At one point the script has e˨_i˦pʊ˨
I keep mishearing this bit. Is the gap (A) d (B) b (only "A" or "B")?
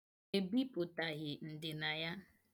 B